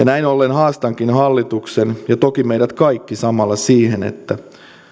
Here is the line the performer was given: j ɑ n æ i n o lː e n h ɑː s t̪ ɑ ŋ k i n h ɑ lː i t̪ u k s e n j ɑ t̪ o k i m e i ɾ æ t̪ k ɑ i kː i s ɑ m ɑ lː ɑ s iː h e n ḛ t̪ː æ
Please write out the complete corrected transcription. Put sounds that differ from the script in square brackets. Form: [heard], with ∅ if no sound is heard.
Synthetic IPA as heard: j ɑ n æ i n o lː e n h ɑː s t̪ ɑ ŋ k i n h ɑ lː i t̪ u k s e n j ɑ t̪ o k i m e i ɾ æ t̪ k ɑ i kː i s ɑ m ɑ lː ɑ s iː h e n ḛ t̪ː æ